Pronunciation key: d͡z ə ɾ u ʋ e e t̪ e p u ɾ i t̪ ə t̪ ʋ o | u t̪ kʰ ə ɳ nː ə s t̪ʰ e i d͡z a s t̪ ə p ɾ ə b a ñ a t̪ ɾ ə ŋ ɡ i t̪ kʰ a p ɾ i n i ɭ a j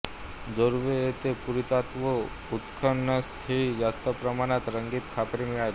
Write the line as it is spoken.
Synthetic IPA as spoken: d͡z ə ɾ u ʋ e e t̪ e p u ɾ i t̪ a t̪ ʋ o | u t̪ kʰ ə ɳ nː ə s t̪ʰ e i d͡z a s t̪ ə p ɾ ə m a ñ a t̪ ɾ ə ŋ ɡ i t̪ kʰ a p ɾ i m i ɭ a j